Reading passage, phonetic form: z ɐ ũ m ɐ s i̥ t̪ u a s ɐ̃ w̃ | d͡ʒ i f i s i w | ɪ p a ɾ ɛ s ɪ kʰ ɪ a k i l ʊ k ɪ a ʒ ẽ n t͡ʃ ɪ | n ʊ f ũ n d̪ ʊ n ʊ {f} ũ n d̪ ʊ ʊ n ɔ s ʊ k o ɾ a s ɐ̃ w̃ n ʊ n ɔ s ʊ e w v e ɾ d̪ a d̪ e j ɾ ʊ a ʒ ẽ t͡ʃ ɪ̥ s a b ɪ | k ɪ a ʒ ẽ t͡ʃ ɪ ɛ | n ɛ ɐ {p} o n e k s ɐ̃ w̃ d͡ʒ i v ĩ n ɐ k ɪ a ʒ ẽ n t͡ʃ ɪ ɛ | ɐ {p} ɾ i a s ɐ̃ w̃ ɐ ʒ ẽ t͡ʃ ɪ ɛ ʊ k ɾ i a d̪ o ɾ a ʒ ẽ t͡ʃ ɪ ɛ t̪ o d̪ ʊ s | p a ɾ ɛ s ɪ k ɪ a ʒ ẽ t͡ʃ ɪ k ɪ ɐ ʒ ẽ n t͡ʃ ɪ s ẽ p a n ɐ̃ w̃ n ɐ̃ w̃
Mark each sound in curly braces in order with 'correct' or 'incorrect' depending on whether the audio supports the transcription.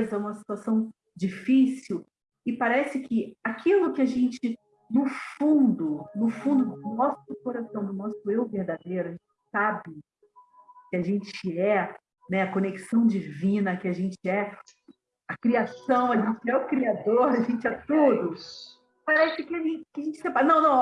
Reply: correct, incorrect: k, incorrect: k

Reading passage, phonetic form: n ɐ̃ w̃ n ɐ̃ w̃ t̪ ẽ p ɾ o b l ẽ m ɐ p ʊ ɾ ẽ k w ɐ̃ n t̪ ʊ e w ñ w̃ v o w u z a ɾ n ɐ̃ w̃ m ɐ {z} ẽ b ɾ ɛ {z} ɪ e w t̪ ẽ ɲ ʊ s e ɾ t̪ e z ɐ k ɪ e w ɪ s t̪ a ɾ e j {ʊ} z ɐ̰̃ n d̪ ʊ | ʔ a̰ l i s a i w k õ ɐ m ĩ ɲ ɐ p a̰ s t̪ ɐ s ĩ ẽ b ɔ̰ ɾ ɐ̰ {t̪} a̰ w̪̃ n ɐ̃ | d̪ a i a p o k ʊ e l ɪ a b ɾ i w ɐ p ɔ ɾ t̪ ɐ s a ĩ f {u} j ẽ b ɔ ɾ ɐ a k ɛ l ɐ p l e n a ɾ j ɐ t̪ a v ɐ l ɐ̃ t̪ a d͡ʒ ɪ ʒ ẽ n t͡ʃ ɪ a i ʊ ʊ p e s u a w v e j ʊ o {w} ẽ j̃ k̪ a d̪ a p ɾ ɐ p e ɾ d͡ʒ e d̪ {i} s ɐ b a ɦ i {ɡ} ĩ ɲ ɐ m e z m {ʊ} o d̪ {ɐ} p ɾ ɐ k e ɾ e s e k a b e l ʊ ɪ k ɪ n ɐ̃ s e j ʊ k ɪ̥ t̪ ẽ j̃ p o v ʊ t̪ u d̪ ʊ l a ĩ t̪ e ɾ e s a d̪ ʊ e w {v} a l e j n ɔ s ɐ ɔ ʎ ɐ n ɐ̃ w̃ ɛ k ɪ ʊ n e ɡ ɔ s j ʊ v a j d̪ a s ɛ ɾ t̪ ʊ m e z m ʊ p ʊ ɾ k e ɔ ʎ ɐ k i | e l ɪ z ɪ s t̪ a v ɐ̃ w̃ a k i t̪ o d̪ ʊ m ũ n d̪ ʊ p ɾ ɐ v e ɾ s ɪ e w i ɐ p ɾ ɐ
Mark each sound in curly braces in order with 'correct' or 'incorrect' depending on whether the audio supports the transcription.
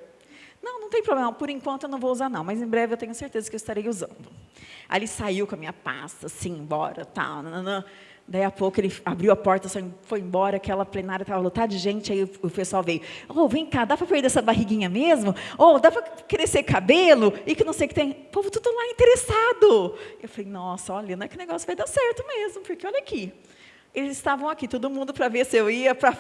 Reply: correct, incorrect: v, incorrect: u, correct, incorrect: o, incorrect: v, incorrect: ɛ, correct, correct, incorrect: a, incorrect: f

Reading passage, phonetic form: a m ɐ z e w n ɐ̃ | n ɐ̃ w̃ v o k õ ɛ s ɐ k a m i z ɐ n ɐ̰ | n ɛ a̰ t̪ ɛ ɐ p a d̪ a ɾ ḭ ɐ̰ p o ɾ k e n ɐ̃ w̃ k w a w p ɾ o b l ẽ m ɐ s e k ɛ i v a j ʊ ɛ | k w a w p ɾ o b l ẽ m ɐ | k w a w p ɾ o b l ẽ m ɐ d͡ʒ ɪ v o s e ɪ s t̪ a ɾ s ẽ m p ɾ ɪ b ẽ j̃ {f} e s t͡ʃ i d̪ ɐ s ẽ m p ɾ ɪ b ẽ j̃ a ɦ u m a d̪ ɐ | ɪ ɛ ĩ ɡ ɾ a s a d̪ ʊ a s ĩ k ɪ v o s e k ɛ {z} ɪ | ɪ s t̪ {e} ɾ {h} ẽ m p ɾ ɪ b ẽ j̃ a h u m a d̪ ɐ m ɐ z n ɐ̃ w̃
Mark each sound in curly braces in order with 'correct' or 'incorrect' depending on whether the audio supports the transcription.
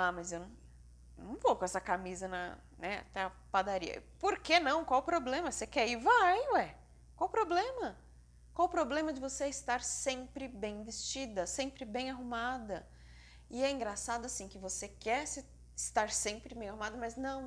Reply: incorrect: v, incorrect: s, incorrect: a, incorrect: s

